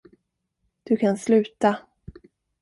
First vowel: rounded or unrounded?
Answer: rounded